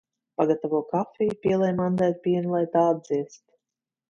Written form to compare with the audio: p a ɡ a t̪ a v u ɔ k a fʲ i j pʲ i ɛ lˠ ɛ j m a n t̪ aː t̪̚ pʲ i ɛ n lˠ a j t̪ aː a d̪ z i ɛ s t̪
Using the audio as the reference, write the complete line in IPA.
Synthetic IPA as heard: p a ɡ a t̪ a v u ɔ k a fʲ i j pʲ i ɛ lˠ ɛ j m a n d̪ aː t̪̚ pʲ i ɛ n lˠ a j t̪ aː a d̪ z i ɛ s t̪